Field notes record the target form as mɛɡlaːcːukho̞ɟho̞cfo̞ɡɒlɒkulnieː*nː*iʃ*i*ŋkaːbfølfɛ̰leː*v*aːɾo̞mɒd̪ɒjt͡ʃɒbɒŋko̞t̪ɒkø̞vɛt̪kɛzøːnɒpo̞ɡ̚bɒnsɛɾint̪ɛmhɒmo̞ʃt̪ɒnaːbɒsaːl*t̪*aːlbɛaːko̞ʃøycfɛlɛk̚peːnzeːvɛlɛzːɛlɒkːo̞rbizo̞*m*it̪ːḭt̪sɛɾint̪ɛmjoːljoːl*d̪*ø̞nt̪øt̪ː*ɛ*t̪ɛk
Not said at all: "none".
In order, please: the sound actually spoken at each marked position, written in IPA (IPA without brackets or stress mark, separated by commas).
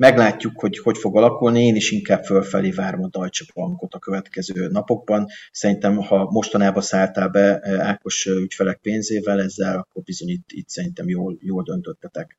n, i, v, t̪, ɲ, d̪, ɛ